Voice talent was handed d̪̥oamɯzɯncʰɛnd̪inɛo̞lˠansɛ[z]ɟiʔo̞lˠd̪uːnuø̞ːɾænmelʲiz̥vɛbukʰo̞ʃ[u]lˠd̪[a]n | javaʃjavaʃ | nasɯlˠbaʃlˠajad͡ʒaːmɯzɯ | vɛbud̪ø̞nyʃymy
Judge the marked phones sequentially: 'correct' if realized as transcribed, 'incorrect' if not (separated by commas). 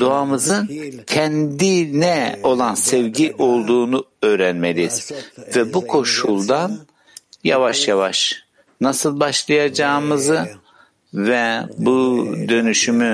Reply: incorrect, correct, correct